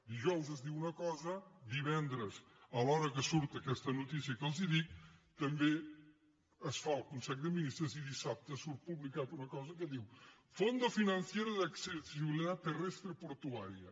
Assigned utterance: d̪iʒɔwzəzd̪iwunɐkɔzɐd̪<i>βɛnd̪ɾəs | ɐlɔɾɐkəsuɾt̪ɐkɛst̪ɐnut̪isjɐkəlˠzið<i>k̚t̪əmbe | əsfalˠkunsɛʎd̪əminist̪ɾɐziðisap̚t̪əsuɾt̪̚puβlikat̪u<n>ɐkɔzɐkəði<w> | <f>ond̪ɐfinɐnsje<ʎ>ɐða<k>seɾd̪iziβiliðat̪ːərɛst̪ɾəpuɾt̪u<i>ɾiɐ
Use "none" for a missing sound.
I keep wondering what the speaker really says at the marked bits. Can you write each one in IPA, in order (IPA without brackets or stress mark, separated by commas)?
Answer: i, i, n, w, f, ɾ, k, a